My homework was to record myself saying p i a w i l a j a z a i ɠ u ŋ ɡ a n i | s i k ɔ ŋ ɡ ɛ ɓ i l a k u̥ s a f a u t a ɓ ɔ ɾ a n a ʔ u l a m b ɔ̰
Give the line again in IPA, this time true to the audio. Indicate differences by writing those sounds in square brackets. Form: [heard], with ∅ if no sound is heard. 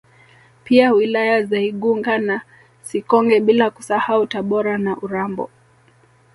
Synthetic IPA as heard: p i a w i l a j a z a i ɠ u ŋ ɡ a n [a] | s i k ɔ ŋ ɡ ɛ ɓ i l a k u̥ s a [h] a u t a ɓ ɔ ɾ a n a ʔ u [ɾ] a m b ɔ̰

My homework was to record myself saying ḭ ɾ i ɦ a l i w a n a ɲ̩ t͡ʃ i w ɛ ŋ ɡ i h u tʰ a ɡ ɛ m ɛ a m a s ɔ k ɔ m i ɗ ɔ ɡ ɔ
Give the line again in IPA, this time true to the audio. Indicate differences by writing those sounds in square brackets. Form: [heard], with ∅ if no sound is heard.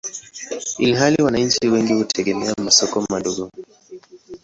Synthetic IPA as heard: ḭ [l] i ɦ a l i w a n a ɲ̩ t͡ʃ i w ɛ ŋ ɡ i h u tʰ [ɛ] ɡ ɛ m ɛ a m a s ɔ k ɔ m [a] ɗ ɔ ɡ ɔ

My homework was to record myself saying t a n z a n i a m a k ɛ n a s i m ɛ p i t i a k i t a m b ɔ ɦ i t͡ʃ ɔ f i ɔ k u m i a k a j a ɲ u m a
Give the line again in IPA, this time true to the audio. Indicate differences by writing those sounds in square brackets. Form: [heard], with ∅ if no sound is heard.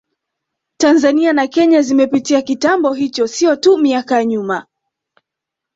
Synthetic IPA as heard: t a n z a n i a [n] a k ɛ [ɲ] a [z] i m ɛ p i t i a k i t a m b ɔ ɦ i t͡ʃ ɔ [s] i ɔ [t] u m i a k a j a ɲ u m a

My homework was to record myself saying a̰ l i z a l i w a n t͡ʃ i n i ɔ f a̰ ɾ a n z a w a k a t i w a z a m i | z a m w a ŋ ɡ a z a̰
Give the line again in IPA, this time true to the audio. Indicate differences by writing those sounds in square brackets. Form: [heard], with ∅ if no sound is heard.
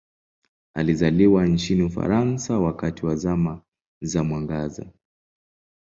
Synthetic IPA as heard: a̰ l i z a l i w a n t͡ʃ i n i [u] f a̰ ɾ a n [s] a w a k a t i w a z a m [a] | z a m w a ŋ ɡ a z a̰

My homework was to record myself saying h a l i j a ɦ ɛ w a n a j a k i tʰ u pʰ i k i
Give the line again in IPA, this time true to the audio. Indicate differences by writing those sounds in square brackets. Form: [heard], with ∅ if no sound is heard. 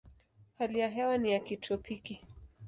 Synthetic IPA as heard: h a l i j a ɦ ɛ w a n [i] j a k i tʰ [ɔ] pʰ i k i

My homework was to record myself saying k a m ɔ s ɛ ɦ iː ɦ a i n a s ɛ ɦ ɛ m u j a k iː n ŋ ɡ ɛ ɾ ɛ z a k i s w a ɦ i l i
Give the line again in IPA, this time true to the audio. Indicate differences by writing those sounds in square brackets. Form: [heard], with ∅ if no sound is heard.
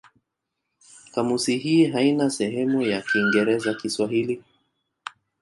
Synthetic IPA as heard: k a m [u] s [i] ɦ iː ɦ a i n a s ɛ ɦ ɛ m u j a k iː [∅] ŋ ɡ ɛ ɾ ɛ z a k i s w a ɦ i l i

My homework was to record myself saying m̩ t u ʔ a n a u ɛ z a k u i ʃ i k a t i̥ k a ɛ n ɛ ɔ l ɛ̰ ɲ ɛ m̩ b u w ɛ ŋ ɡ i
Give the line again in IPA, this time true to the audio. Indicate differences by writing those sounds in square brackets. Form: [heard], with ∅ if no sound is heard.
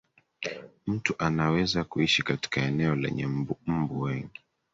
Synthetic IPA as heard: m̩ t u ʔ a n a [w] ɛ z a k u i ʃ i k a t i̥ k a ɛ n ɛ ɔ l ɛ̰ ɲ ɛ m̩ b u w ɛ ŋ ɡ i

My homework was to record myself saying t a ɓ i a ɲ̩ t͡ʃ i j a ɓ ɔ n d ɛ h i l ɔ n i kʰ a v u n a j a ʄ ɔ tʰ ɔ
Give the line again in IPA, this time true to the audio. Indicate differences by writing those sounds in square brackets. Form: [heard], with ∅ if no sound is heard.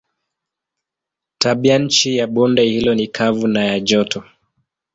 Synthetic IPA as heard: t a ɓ i a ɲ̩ t͡ʃ i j a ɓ ɔ n d ɛ h i l ɔ n i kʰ a v u n a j a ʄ ɔ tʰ ɔ

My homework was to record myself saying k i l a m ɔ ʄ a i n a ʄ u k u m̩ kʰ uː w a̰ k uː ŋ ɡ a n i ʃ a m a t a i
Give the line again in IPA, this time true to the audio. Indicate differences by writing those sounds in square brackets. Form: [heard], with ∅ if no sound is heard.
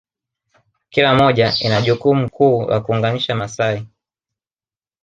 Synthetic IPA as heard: k i l a m ɔ ʄ a i n a ʄ u k u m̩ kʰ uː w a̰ k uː ŋ ɡ a n i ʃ a m a [s] a i

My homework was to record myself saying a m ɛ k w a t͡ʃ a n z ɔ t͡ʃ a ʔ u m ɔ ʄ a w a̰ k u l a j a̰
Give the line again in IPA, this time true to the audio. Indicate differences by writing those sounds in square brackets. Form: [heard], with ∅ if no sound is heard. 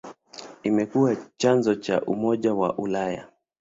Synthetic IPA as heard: [i] m ɛ k [u] a t͡ʃ a n z ɔ t͡ʃ a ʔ u m ɔ ʄ a w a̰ [ʔ] u l a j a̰

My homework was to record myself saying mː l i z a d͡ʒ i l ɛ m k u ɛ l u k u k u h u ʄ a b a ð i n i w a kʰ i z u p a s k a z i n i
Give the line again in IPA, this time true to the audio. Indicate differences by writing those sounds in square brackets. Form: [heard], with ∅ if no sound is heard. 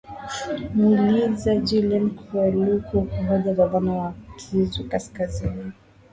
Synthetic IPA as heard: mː l i z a d͡ʒ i l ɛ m k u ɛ l u k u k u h [ɔ] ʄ a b a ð [a] n [a] w a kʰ i z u [k] a s k a z i n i

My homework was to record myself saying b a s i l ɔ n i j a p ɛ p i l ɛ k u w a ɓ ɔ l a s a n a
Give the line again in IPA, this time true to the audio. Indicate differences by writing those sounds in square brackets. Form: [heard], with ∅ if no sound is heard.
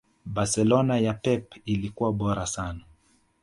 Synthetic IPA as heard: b a s [ɛ] l ɔ n [a] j a p ɛ p i l [i] k u w a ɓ ɔ [ɾ] a s a n a

